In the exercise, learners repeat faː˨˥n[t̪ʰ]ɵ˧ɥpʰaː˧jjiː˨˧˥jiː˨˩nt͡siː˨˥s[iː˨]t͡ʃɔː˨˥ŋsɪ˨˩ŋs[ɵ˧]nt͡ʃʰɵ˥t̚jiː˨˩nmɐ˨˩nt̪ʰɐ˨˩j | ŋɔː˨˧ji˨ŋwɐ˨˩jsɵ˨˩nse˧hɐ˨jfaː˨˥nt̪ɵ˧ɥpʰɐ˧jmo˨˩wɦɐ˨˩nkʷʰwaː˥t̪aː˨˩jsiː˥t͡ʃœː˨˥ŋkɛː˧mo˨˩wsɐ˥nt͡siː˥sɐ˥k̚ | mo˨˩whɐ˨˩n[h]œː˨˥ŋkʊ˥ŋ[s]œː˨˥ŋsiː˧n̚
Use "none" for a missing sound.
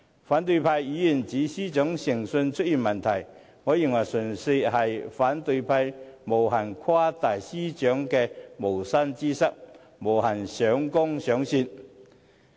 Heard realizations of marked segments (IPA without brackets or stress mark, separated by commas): t̪, iː˥, ɵ˧, s, s